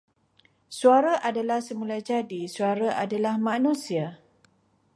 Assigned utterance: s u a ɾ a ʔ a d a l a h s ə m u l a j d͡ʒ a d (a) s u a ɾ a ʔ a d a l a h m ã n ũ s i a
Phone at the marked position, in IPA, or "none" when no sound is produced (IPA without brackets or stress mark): i